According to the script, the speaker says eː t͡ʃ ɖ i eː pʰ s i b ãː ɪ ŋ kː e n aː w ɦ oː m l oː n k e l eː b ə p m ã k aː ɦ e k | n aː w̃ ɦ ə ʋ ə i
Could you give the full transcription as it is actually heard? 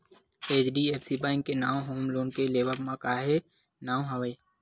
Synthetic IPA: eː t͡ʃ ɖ i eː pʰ s i b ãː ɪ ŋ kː e n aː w ɦ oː m l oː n k e l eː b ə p m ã k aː ɦ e | n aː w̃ ɦ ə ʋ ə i